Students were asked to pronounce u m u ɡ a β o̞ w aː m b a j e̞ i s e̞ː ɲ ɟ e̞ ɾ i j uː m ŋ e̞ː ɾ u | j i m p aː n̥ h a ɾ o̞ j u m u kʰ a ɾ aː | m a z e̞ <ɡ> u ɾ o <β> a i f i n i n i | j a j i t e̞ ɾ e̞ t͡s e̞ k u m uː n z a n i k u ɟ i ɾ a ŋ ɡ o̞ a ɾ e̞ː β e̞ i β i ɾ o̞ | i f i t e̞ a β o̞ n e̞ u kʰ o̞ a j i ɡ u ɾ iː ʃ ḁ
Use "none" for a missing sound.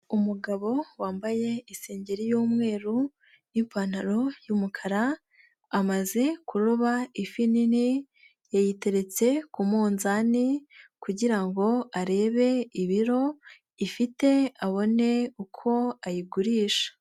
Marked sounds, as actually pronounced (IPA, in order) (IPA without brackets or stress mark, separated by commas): k, β